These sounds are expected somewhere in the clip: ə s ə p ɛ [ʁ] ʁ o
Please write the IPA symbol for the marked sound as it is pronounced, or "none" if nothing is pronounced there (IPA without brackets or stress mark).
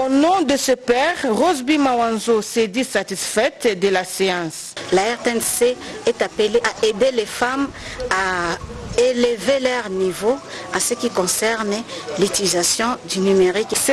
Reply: ʁ